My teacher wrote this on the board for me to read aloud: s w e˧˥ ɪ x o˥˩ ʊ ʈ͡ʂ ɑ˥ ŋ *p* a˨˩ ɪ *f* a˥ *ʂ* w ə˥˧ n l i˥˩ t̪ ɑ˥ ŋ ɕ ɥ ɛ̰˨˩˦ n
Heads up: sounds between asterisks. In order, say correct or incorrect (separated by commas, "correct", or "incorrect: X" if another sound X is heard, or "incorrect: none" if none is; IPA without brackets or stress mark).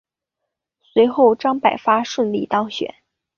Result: correct, correct, correct